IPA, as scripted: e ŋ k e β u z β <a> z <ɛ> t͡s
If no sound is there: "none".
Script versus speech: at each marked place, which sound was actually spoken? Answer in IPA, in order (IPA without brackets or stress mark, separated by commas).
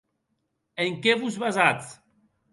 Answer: a, a